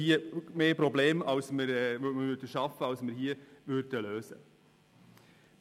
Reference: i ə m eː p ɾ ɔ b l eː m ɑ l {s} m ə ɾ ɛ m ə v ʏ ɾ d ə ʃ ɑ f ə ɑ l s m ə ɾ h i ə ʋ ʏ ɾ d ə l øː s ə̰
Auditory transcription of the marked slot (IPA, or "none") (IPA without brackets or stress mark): s